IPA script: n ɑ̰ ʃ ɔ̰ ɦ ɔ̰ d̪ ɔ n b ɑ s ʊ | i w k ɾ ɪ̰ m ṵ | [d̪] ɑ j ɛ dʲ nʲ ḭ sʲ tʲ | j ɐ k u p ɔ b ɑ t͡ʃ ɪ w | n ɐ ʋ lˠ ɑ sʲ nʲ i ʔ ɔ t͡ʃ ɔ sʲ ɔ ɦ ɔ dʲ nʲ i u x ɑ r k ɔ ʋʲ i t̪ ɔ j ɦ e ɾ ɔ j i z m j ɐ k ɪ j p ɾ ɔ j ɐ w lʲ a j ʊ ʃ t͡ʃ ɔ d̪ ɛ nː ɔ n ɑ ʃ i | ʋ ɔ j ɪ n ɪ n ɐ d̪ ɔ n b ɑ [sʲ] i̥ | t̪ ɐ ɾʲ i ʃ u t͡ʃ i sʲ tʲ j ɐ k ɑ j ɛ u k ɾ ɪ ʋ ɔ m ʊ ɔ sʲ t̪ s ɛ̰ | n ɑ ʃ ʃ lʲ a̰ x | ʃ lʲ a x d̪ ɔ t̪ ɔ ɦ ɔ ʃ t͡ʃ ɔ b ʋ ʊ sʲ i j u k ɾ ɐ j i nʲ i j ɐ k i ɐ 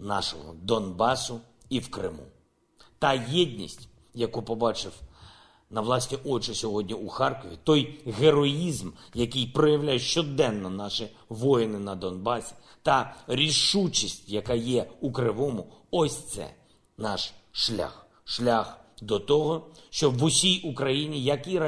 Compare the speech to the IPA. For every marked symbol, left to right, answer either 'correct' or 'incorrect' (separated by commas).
incorrect, correct